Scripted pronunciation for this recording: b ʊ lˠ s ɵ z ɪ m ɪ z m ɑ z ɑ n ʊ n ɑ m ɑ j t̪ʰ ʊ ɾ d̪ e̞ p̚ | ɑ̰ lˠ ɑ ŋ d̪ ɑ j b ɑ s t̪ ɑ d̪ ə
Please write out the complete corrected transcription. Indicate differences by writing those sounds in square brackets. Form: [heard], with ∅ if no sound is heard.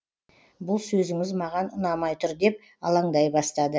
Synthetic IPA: b ʊ lˠ s ɵ z ɪ [ŋ] ɪ z m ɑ [ʁ] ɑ n ʊ n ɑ m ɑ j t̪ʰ ʊ ɾ d̪ e̞ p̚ | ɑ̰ lˠ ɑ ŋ d̪ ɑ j b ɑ s t̪ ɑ d̪ ə